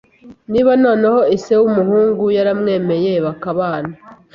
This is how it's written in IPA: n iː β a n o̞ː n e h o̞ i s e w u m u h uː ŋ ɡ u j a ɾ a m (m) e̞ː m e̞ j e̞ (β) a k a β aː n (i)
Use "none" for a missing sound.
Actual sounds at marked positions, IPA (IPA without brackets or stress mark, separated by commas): ŋ, β, a